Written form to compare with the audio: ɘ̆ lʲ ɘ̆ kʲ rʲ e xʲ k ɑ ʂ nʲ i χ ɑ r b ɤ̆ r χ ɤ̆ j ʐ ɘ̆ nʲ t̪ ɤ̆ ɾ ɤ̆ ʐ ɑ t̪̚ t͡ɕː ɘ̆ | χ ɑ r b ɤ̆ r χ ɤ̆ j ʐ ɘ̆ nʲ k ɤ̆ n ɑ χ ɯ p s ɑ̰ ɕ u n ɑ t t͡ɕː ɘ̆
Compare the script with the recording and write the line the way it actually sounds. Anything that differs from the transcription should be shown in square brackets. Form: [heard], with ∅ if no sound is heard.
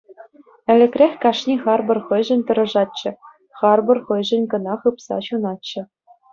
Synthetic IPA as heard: ɘ̆ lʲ ɘ̆ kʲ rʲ e xʲ k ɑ ʂ nʲ i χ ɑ r b ɤ̆ r χ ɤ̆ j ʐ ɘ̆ nʲ t̪ ɤ̆ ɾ ɤ̆ ʐ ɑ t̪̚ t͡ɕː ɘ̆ | χ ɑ r b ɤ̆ r χ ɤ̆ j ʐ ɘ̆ nʲ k ɤ̆ n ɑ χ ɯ p s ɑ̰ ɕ u n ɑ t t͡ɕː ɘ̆